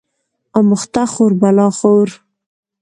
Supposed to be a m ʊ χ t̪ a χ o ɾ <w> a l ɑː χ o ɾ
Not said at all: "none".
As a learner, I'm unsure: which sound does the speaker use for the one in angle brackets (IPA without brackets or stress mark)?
b